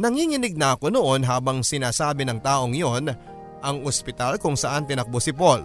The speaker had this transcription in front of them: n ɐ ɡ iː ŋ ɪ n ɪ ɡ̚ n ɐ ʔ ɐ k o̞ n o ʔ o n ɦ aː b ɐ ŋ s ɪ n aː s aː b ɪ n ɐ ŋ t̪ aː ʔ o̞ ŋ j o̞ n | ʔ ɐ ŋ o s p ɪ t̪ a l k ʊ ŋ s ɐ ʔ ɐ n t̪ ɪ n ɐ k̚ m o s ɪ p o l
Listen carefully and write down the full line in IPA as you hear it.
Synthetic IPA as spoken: n ɐ ŋ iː ŋ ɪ n ɪ ɡ̚ n ɐ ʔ ɐ k o̞ n o ʔ o n ɦ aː b ɐ ŋ s ɪ n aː s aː b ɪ n ɐ ŋ t̪ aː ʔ o̞ ŋ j o̞ n | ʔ ɐ ŋ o s p ɪ t̪ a l k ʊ ŋ s ɐ ʔ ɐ n t̪ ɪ n ɐ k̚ b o s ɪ p o l